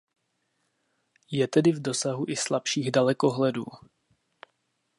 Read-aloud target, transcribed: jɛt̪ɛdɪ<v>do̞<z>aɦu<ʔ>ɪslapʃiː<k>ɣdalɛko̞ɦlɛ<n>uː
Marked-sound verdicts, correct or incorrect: correct, incorrect: s, correct, incorrect: none, incorrect: d

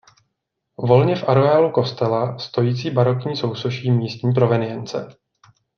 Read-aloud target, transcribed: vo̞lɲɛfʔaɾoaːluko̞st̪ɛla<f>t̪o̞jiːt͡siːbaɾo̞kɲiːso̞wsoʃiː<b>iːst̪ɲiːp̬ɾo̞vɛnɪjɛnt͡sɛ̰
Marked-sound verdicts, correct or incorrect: incorrect: s, incorrect: m

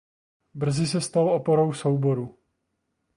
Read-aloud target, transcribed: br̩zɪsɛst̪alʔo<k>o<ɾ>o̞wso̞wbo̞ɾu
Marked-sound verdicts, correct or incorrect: incorrect: p, correct

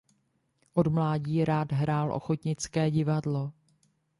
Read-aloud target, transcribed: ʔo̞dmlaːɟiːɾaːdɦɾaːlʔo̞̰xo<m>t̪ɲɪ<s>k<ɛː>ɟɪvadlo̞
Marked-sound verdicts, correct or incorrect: incorrect: none, incorrect: t͡s, correct

